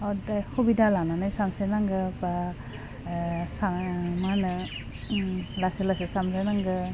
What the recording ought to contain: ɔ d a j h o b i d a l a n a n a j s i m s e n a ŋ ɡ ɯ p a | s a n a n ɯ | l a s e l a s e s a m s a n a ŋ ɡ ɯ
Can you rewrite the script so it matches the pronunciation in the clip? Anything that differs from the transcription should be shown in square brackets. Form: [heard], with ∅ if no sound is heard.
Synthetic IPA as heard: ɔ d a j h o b i d a l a n a n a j s [a] m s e n a ŋ ɡ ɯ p a | s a [m] a n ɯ | l a s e l a s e s a m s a n a ŋ ɡ ɯ